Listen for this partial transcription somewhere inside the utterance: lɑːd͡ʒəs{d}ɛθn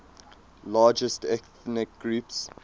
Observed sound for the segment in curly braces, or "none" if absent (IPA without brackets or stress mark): t